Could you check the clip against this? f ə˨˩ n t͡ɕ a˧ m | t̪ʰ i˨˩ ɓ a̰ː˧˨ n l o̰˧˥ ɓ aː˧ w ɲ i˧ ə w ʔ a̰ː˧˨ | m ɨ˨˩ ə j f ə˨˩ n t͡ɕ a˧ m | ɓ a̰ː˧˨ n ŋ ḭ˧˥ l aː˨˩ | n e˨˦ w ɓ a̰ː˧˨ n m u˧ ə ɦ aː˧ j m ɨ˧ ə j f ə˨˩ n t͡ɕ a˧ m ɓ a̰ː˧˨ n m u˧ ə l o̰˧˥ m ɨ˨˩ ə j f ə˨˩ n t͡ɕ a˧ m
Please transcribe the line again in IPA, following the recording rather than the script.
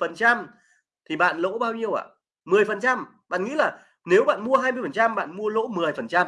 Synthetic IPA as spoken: f ə˨˩ n t͡ɕ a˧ m | t̪ʰ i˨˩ ɓ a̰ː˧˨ n l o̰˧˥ ɓ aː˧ w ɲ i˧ ə w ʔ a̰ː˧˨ | m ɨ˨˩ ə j f ə˨˩ n t͡ɕ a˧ m | ɓ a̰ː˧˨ n ŋ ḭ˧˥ l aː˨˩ | n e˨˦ w ɓ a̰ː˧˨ n m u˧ ə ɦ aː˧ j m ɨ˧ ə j f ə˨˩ n t͡ɕ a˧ m ɓ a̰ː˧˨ n m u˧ ə l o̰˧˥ m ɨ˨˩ ə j f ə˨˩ n t͡ɕ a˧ m

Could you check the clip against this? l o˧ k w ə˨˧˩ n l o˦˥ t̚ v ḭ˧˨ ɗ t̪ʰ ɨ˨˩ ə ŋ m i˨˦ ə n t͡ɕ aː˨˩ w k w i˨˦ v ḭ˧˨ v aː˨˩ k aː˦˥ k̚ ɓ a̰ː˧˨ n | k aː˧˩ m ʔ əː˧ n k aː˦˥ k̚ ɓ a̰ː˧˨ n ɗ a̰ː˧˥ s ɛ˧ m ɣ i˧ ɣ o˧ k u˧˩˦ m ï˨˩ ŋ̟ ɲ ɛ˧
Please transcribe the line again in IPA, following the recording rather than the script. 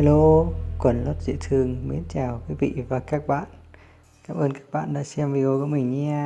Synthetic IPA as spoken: l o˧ k w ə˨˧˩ n l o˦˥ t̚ z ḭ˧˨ t̪ʰ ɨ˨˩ ə ŋ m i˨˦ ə n t͡ɕ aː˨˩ w k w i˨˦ v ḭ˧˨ v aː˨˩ k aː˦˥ k̚ ɓ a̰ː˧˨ n | k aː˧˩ m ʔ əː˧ n k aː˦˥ k̚ ɓ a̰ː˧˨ n ɗ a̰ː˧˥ s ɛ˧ m v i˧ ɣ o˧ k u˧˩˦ m ï˨˩ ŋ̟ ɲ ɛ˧

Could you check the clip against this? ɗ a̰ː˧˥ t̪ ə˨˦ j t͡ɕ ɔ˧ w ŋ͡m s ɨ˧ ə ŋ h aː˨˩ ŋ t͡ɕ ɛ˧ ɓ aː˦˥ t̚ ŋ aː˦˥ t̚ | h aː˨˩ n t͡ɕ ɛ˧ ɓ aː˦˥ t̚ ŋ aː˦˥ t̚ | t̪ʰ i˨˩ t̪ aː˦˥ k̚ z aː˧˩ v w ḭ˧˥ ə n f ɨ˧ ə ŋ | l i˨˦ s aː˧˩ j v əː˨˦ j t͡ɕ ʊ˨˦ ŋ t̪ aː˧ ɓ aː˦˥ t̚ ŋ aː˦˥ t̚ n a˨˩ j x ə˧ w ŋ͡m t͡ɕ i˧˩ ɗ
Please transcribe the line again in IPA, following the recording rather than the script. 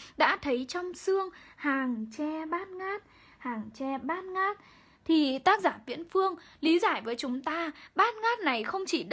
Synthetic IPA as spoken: ɗ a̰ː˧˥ t̪ʰ ə˨˦ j t͡ɕ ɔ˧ w ŋ͡m s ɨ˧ ə ŋ h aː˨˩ ŋ t͡ɕ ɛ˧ ɓ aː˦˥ t̚ ŋ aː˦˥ t̚ | h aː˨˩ ŋ t͡ɕ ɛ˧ ɓ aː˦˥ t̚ ŋ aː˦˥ t̚ | t̪ʰ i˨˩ t̪ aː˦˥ k̚ z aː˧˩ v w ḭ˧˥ ə n f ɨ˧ ə ŋ | l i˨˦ z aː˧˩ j v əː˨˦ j t͡ɕ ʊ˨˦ ŋ͡m t̪ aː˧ ɓ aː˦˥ t̚ ŋ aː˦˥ t̚ n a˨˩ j x ə˧ w ŋ͡m t͡ɕ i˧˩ ɗ

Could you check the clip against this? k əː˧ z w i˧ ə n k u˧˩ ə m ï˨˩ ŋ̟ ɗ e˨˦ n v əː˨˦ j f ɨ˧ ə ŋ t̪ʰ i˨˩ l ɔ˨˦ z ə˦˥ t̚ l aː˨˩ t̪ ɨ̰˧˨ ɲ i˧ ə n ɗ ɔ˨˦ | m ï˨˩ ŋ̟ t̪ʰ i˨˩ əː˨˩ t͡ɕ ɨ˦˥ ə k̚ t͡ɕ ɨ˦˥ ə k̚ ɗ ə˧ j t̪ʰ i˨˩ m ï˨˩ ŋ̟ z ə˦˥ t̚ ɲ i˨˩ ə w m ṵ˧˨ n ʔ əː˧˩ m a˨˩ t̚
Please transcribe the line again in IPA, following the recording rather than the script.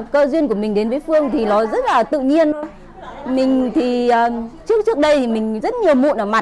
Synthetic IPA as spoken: k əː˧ z w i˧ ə n k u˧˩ ə m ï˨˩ ŋ̟ ɗ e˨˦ n v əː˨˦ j f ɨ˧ ə ŋ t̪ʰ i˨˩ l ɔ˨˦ z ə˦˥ t̚ l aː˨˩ t̪ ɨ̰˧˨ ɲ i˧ ə n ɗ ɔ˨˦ | m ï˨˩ ŋ̟ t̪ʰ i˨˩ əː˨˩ t͡ɕ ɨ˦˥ ə k̚ t͡ɕ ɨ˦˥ ə k̚ ɗ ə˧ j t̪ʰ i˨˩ m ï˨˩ ŋ̟ z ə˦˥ t̚ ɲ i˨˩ ə w m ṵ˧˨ n ʔ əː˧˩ m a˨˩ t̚

